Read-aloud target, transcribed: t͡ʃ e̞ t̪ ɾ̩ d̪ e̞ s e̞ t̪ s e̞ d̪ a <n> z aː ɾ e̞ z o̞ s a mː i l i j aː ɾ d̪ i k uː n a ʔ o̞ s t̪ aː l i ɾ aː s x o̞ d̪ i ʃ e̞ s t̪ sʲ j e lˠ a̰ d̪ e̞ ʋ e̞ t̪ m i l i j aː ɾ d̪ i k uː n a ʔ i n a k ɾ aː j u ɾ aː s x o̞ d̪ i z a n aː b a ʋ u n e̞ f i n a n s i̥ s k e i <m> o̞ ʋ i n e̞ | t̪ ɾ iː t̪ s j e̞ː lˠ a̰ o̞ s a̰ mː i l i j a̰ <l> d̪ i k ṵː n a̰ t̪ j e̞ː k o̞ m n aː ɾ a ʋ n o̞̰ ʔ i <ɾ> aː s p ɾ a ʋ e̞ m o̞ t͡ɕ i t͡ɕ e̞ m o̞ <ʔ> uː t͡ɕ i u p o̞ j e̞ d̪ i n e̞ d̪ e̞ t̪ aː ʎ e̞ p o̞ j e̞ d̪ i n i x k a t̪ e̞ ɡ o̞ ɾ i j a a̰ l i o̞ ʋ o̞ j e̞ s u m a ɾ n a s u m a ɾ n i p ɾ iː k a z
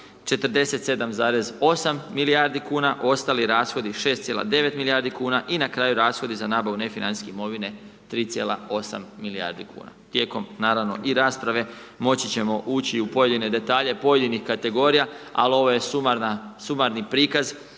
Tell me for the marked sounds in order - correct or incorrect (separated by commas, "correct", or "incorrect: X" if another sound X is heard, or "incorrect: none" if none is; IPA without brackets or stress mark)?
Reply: incorrect: m, correct, incorrect: ɾ, correct, correct